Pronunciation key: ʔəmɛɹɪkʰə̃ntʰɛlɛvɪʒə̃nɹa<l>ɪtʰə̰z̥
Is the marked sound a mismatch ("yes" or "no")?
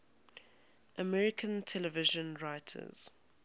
yes